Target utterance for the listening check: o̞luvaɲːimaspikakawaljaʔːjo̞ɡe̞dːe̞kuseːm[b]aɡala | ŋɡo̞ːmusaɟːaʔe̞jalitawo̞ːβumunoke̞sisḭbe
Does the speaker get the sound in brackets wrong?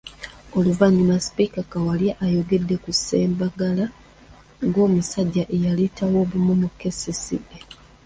no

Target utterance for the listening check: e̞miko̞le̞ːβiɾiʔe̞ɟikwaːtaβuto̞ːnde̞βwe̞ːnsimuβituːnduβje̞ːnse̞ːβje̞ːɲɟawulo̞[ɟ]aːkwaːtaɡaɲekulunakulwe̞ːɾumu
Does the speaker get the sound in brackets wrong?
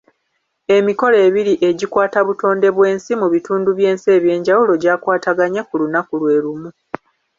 no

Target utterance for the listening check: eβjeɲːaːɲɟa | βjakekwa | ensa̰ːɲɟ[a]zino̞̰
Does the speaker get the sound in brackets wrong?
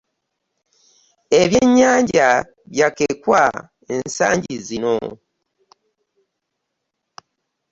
yes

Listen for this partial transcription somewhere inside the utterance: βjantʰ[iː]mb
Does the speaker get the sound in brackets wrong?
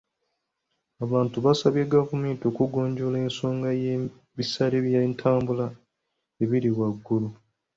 yes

